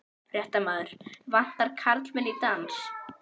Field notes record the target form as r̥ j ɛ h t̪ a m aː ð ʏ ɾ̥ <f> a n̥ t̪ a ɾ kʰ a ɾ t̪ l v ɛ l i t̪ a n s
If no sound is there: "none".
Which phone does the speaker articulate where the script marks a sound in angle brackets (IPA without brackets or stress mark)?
v